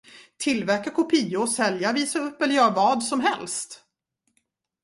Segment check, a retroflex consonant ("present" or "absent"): absent